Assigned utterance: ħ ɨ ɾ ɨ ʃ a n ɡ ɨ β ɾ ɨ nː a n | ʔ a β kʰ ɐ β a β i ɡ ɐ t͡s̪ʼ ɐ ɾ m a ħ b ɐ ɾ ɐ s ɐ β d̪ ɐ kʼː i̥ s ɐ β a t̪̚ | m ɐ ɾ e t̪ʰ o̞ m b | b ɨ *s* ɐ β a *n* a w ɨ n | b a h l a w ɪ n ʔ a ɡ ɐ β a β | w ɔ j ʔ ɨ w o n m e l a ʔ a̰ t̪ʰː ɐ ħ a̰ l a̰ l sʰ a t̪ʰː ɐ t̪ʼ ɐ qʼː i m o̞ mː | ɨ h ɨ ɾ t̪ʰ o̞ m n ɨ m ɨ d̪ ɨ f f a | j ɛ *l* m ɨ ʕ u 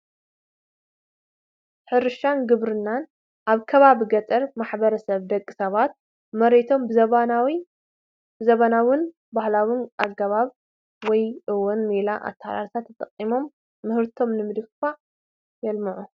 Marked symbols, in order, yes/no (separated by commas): no, yes, yes